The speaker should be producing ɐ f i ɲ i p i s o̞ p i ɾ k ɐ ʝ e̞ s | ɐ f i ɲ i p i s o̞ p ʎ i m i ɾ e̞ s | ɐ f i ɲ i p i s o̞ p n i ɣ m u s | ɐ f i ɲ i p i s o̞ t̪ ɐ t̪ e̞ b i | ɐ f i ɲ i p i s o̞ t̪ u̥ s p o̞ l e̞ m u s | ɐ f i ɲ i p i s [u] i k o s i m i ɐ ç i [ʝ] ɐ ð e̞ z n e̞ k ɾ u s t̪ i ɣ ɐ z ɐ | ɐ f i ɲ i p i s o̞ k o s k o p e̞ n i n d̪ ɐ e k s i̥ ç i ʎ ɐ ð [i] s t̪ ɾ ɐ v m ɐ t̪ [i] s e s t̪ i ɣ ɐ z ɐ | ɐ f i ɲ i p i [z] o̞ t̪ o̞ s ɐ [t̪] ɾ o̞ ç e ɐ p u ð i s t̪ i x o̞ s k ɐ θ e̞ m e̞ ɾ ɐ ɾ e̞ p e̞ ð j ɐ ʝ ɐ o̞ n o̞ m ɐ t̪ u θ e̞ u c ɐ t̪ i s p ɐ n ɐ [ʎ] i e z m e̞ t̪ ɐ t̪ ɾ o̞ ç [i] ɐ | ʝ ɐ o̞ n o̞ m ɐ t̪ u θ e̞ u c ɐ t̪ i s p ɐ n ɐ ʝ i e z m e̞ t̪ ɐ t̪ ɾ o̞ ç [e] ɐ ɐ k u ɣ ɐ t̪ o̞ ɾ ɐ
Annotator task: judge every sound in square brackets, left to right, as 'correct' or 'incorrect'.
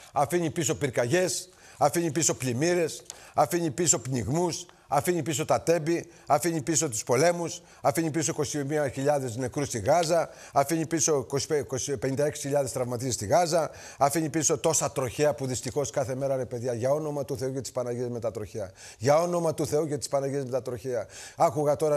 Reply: incorrect: o, incorrect: ʎ, incorrect: e, correct, incorrect: s, correct, incorrect: ʝ, incorrect: e, correct

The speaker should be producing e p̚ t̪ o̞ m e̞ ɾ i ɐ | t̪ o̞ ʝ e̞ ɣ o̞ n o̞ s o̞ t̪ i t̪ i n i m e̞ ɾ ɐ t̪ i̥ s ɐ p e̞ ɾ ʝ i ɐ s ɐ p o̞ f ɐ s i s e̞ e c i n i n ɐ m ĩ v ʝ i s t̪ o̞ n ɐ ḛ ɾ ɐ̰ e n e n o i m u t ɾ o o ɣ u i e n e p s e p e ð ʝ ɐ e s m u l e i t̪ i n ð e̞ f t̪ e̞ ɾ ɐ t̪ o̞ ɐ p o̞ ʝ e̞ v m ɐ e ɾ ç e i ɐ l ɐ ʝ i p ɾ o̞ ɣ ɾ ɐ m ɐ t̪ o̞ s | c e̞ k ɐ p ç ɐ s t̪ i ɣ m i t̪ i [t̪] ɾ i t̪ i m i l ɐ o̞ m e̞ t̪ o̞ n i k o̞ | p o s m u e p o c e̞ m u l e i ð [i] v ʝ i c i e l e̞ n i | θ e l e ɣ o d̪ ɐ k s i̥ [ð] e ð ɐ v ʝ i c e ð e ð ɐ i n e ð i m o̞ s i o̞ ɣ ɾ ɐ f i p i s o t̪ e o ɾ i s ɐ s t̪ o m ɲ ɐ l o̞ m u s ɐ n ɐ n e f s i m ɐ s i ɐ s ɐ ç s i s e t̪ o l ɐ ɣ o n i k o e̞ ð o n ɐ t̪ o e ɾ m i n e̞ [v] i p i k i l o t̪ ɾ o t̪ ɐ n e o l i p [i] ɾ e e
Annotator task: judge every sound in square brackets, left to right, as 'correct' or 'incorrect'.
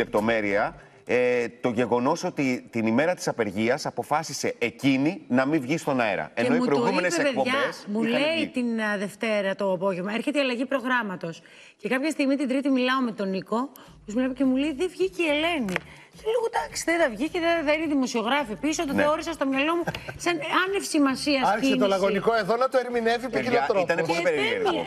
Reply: incorrect: d̪, incorrect: e, correct, correct, incorrect: e

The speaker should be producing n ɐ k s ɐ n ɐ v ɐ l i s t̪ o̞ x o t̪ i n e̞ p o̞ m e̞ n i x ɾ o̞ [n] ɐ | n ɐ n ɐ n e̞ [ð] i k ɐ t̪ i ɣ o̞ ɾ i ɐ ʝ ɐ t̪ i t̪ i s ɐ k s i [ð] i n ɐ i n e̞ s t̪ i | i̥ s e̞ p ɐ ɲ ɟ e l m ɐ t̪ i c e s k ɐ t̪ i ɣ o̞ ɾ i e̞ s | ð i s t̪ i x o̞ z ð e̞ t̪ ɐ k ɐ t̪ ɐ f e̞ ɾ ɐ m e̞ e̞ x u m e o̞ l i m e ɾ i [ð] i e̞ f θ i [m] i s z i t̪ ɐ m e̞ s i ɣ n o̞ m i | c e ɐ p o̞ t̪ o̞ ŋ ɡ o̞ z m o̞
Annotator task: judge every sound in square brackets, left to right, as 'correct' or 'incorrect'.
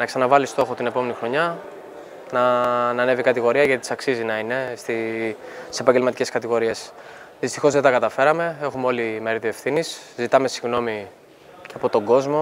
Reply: incorrect: ɲ, incorrect: v, incorrect: z, correct, incorrect: n

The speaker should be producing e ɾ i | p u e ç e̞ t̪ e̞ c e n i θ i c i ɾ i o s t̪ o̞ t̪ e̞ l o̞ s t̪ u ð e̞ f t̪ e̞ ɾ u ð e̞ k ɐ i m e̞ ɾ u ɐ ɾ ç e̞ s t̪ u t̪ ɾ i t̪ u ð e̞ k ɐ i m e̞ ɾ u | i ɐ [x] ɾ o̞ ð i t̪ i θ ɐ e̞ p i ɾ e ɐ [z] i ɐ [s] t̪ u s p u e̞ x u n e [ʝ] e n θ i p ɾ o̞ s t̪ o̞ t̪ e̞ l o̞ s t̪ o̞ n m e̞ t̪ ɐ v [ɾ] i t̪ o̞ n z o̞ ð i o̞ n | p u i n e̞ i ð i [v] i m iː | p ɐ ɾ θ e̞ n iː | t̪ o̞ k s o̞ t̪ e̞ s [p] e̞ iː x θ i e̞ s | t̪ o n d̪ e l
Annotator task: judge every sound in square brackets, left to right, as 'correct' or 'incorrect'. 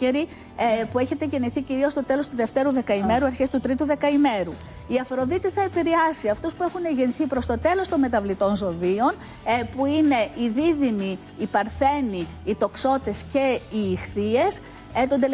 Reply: incorrect: f, incorrect: s, incorrect: f, correct, incorrect: l, incorrect: ð, incorrect: c

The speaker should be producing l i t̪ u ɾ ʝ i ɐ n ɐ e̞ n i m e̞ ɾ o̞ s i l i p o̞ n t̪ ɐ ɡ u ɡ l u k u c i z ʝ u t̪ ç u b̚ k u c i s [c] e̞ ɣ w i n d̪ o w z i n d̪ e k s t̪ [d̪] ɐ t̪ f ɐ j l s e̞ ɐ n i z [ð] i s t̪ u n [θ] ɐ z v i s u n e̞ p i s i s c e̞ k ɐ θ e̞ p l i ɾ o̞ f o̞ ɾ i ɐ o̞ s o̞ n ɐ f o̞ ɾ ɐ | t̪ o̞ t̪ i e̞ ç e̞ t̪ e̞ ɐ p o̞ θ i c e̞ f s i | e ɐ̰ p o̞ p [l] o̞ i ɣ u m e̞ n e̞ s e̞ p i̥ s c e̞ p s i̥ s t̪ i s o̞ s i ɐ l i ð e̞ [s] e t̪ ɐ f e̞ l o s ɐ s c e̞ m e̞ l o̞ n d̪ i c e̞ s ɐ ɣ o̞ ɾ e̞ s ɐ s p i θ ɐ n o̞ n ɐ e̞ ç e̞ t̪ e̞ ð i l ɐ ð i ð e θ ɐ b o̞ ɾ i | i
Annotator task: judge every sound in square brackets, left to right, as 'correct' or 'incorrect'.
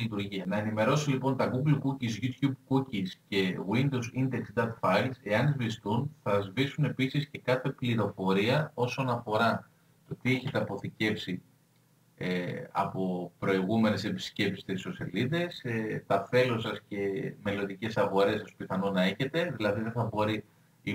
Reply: correct, correct, incorrect: v, correct, incorrect: ɾ, correct

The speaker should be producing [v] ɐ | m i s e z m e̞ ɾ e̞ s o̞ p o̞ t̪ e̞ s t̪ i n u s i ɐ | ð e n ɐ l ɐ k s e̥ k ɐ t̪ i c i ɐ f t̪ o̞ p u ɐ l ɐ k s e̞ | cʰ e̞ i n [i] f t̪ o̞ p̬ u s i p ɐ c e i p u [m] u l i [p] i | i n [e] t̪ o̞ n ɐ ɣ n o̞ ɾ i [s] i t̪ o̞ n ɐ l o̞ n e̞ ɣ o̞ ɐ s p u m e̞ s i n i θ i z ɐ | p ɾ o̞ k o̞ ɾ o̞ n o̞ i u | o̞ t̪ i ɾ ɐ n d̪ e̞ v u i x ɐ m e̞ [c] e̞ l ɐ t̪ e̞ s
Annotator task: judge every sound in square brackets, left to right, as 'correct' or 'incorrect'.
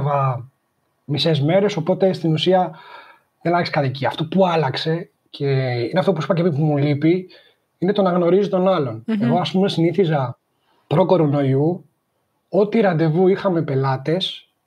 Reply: correct, incorrect: e, correct, correct, correct, incorrect: z, incorrect: p

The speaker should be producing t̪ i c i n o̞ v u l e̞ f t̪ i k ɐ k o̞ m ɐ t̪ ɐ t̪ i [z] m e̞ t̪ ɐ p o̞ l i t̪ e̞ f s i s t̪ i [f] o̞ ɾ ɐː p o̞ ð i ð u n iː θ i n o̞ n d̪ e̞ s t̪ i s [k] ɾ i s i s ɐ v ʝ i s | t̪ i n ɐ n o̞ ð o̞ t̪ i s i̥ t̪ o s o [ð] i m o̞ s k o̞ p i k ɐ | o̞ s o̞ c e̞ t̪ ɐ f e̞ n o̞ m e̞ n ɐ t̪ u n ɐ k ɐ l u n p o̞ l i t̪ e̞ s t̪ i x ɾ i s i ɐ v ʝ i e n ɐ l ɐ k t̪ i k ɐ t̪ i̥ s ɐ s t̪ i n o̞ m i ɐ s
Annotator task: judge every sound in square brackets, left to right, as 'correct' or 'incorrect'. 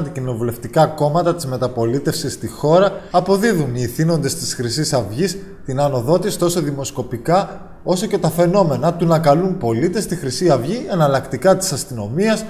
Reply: correct, incorrect: x, incorrect: x, correct

